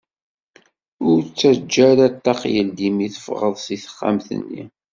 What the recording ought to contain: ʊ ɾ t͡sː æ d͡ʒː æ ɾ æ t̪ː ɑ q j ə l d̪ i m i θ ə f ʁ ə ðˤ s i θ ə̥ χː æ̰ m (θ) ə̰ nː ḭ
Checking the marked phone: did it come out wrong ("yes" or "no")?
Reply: no